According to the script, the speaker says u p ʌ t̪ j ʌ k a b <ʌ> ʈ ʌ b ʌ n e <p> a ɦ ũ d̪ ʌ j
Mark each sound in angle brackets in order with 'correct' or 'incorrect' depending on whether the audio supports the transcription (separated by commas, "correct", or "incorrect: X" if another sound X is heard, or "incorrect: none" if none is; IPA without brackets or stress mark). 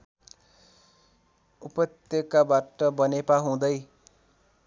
incorrect: a, correct